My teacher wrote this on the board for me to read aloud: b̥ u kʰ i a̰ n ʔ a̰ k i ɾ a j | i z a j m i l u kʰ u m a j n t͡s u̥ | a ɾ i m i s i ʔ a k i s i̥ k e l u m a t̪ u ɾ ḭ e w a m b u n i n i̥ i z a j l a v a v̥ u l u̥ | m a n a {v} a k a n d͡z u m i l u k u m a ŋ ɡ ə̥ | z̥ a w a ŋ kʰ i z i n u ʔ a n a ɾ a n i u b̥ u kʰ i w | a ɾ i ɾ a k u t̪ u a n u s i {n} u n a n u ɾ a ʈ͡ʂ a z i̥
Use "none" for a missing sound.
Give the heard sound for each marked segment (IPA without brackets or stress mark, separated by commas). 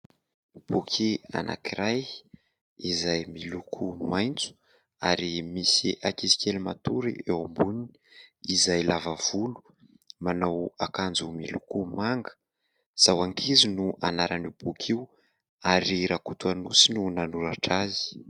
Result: w, n